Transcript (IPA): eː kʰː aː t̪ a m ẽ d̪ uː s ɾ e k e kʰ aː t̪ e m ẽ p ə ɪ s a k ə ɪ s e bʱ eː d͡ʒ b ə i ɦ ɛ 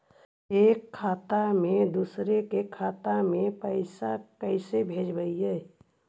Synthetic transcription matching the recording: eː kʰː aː t̪ a m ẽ d̪ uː s ɾ e k e kʰ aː t̪ a m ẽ p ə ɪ s a k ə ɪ s e bʱ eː d͡ʒ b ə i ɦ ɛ